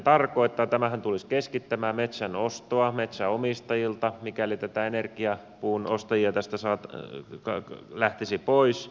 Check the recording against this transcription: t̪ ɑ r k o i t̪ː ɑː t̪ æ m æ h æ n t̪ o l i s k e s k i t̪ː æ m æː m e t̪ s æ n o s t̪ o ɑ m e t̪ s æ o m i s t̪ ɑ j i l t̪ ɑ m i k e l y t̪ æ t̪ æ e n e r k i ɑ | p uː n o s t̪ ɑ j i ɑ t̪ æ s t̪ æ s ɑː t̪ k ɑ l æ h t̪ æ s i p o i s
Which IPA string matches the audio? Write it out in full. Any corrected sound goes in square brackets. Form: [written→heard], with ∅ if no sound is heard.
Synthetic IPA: t̪ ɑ r k o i t̪ː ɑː t̪ æ m æ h æ n t̪ [o→u] l i s k e s k i t̪ː æ m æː m e t̪ s æ n o s t̪ o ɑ m e t̪ s æ o m i s t̪ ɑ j i l t̪ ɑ m i k [e→æ] l [y→i] t̪ æ t̪ æ e n e r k i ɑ | p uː n o s t̪ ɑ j i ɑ t̪ æ s t̪ æ s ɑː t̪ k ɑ l æ h t̪ [æ→i] s i p o i s